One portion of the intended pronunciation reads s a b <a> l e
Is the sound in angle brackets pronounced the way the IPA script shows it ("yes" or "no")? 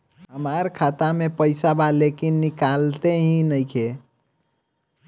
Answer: yes